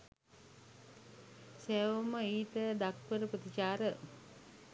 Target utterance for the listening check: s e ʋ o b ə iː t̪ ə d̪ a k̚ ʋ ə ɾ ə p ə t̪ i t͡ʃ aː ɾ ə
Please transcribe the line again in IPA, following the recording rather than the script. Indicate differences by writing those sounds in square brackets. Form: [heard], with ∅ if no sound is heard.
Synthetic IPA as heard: s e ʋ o [m] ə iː t̪ ə d̪ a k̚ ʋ ə ɾ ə p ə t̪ i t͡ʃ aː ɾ ə